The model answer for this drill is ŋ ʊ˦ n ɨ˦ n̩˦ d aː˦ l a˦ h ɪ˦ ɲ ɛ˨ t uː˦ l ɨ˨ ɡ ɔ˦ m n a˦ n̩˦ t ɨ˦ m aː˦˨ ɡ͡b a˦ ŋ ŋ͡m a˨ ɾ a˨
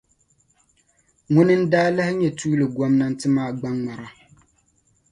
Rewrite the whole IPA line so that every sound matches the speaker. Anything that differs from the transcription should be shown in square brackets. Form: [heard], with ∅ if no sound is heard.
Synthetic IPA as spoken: ŋ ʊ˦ n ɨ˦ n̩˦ d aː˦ l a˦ h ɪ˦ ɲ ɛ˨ t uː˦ l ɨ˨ ɡ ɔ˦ m n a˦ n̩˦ t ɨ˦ m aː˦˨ ɡ͡b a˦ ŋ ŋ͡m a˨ ɾ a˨